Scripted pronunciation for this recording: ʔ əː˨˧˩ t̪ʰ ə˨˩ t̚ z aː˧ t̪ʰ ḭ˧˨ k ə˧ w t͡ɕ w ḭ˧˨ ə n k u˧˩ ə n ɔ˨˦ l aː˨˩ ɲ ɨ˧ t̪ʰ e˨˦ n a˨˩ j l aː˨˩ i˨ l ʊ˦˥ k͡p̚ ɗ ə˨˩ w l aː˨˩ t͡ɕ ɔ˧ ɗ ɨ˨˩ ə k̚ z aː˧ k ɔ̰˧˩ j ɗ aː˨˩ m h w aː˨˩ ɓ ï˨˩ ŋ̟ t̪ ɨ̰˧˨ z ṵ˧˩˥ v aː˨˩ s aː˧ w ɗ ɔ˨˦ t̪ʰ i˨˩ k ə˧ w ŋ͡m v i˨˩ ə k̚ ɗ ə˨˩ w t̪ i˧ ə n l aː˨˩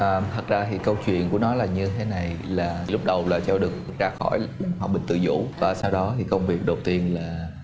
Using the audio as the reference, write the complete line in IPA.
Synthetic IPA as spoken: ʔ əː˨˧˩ t̪ʰ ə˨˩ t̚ z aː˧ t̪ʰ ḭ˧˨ k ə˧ w t͡ɕ w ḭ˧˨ ə n k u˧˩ ə n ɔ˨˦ l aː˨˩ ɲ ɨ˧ t̪ʰ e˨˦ n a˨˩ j l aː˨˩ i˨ l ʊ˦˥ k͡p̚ ɗ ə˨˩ w l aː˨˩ t͡ɕ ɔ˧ ɗ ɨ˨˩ ə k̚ z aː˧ x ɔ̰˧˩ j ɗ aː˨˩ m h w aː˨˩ ɓ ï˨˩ ŋ̟ t̪ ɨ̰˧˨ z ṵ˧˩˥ v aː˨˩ s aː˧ w ɗ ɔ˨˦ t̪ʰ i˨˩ k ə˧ w ŋ͡m v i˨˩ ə k̚ ɗ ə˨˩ w t̪ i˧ ə n l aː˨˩